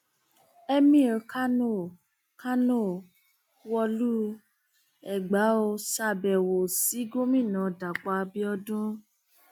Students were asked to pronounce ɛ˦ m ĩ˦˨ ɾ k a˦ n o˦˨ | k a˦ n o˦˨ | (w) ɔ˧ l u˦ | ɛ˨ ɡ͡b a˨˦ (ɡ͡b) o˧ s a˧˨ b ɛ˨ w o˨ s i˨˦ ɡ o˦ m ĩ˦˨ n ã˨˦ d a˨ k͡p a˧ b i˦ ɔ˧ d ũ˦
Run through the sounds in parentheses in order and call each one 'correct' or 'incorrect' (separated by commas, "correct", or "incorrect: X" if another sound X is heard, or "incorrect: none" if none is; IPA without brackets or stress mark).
correct, incorrect: none